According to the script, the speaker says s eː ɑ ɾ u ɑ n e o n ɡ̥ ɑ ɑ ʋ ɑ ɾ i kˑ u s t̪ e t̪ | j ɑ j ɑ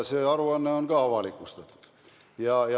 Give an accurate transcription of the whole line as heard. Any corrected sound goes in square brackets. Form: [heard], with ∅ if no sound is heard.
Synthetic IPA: s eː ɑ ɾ u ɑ [nː] e o n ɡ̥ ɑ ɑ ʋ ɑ [l] i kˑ u s t̪ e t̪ | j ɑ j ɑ